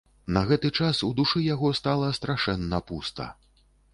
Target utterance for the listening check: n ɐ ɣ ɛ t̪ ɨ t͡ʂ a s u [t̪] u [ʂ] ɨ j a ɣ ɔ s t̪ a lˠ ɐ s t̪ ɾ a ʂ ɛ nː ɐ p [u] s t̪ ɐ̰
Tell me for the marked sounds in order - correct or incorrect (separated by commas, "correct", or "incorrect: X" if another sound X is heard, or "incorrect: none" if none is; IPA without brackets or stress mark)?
incorrect: d̪, correct, correct